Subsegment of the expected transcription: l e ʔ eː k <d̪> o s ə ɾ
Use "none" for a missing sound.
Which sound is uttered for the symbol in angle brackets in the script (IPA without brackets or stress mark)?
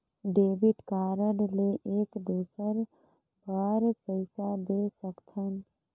d̪